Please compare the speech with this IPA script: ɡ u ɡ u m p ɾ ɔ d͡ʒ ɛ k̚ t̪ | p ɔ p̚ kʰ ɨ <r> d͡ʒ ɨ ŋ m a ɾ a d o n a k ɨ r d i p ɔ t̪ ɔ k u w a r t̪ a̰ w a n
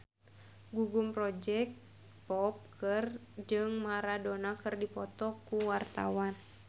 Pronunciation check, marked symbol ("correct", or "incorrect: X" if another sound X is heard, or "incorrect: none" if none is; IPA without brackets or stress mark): correct